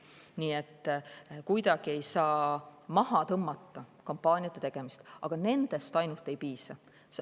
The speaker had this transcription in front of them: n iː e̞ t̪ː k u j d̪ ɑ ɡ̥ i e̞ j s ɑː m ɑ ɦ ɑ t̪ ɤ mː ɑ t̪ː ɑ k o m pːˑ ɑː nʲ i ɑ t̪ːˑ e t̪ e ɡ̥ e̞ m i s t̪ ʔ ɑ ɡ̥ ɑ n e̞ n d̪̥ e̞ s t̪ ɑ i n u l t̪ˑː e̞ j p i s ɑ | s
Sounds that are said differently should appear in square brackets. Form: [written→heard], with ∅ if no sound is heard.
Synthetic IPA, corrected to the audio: n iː e̞ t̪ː k u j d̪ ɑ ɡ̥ i e̞ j s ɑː m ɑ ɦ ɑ t̪ ɤ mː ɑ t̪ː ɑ k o m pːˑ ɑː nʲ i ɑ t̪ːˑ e t̪ e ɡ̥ e̞ m i s t̪ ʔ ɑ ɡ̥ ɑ n e̞ n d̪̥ e̞ s t̪ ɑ [i→j] n u l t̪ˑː e̞ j p [i→iː] s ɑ | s